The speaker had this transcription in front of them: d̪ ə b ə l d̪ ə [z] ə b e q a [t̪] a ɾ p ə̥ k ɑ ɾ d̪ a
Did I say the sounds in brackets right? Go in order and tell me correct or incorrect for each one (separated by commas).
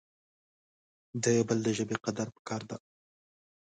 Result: incorrect, incorrect